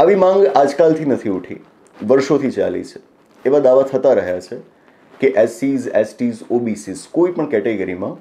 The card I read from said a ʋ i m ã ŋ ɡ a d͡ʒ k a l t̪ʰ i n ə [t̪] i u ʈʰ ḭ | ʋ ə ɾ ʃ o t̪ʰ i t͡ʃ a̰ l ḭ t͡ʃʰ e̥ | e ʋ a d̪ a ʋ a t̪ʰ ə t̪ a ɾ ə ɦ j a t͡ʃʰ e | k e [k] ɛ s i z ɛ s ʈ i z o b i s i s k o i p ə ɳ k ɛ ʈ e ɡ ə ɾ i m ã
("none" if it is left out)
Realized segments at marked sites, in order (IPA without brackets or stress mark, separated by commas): t̪ʰ, ʔ